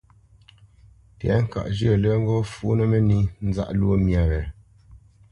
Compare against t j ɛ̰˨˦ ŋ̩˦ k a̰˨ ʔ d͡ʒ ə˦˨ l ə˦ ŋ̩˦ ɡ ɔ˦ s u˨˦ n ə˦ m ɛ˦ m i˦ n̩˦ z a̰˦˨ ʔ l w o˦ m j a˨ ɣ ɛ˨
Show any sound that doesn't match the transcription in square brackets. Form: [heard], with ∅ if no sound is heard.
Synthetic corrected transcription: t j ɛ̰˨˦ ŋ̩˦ k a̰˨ ʔ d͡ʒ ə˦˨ l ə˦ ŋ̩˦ ɡ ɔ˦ [f] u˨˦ n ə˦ m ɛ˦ [n] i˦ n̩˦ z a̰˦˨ ʔ l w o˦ m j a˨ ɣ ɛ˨